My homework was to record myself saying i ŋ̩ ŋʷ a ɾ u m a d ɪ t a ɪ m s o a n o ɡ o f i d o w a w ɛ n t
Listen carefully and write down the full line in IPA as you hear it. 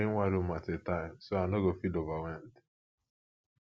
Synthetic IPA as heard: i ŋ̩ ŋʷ a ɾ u m a t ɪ t a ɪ m s o a n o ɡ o f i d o v a w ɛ n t

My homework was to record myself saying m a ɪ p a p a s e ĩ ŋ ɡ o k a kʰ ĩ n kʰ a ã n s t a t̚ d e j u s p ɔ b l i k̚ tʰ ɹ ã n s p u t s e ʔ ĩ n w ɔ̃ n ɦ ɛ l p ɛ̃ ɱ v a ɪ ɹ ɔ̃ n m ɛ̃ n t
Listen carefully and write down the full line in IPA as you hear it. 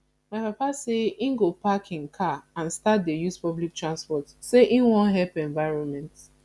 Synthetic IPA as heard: m a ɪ p a p a s e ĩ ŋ ɡ o p a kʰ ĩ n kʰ a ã n s t a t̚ d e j u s p ɔ b l i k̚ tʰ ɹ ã n s p ɔ t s e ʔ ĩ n w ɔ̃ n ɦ ɛ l p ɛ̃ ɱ v a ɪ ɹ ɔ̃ n m ɛ̃ n t

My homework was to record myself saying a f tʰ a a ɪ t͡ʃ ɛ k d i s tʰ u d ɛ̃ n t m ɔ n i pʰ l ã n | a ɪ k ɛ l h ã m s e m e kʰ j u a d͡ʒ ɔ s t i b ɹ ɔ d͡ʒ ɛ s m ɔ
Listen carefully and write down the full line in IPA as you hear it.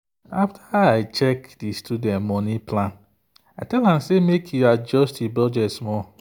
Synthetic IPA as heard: a f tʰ a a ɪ t͡ʃ ɛ k d i s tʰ u d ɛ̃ n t m ɔ n i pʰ l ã n | a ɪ t ɛ l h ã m s e m e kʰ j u a d͡ʒ ɔ s t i b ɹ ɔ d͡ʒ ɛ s m ɔ

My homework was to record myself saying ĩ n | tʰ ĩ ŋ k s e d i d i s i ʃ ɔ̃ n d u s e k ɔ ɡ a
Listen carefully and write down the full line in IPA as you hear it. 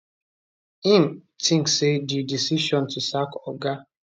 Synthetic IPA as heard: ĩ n | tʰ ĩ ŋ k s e d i d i s i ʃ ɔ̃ n t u s a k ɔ ɡ a

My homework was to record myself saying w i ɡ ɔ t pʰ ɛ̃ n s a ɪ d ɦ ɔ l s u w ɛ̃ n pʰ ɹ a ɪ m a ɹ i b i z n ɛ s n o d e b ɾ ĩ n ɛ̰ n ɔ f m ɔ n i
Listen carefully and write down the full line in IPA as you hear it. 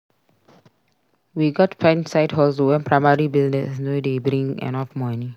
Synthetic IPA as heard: w i ɡ ɔ t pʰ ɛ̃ n s a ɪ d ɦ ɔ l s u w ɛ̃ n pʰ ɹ a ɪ m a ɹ i b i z n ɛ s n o d e b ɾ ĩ ŋ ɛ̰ n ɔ f m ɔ n i

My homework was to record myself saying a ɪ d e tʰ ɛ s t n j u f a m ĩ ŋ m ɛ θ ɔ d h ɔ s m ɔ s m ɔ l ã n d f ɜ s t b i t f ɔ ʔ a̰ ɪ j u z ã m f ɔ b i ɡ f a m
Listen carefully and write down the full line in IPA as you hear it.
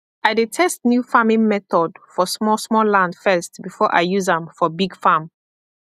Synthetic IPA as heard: a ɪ d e tʰ ɛ s t n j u f a m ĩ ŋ m ɛ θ ɔ d f ɔ s m ɔ s m ɔ l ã n d f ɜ s t b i f ɔ ʔ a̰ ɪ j u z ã m f ɔ b i ɡ f a m

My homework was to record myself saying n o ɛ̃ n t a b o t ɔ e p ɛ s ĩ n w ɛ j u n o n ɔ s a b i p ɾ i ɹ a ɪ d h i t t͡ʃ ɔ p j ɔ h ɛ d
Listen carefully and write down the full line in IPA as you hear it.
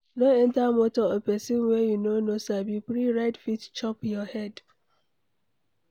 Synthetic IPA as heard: n o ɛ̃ n t a m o t ɔ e p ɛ s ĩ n w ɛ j u n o n o s a b i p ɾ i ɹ a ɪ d f i t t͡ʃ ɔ p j ɔ h ɛ d

